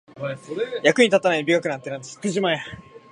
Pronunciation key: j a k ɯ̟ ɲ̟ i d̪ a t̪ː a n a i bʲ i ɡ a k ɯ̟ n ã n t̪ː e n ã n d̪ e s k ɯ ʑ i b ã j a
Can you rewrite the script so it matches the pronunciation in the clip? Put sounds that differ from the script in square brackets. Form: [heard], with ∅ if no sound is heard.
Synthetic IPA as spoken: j a k ɯ̟ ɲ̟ i [t̪] a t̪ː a n a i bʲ i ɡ a k ɯ̟ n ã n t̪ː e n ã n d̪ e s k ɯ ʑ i [m] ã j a